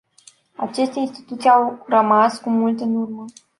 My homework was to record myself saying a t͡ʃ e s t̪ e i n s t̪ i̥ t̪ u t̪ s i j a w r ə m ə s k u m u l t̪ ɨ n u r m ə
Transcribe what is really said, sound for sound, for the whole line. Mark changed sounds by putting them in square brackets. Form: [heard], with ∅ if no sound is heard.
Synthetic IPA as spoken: a t͡ʃ e s t̪ e i n s t̪ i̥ t̪ u t̪ s i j a w r ə m [a] s k u m u l t̪ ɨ n u r m ə